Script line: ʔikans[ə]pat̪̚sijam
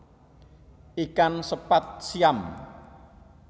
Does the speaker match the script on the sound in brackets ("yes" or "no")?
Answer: yes